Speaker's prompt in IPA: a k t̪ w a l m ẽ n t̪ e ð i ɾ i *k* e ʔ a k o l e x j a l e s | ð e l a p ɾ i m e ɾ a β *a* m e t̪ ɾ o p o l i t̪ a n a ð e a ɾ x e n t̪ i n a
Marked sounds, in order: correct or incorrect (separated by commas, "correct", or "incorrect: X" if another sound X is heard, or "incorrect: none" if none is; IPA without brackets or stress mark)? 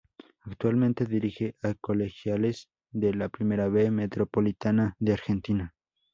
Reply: incorrect: x, incorrect: e